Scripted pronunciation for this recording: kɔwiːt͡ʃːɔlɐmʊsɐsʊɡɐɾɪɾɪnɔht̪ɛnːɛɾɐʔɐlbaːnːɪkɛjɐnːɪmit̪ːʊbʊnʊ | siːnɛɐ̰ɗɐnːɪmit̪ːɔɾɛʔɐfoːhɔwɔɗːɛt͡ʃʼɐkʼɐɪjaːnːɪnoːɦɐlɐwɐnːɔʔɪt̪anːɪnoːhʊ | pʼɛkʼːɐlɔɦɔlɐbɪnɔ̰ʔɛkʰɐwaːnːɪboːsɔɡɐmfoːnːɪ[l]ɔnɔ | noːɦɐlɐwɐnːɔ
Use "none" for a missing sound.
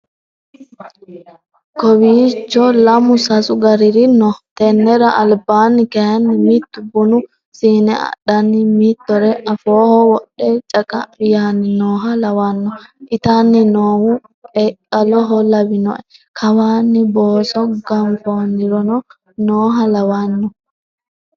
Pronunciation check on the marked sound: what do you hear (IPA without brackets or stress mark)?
ɾ